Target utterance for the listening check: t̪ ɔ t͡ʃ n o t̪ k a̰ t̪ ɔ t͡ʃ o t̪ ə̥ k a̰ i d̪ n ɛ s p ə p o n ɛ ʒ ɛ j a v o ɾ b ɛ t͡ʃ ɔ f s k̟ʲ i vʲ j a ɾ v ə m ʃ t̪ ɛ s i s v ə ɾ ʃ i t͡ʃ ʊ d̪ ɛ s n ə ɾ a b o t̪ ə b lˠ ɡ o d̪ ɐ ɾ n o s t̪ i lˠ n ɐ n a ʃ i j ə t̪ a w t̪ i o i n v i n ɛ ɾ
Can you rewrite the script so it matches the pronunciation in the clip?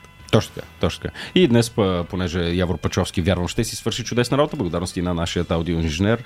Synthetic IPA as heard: t̪ ɔ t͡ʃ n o t̪ k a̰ t̪ ɔ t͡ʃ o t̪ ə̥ k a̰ i d̪ n ɛ s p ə p o n ɛ ʒ ɛ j a v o ɾ p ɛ t͡ʃ ɔ f s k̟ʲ i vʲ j a ɾ v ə m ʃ t̪ ɛ s i s v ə ɾ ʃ i t͡ʃ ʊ d̪ ɛ s n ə ɾ a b o t̪ ə b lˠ ɡ o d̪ a ɾ n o s t̪ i n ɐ n a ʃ i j ə t̪ a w d̪ i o i n ʒ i n ɛ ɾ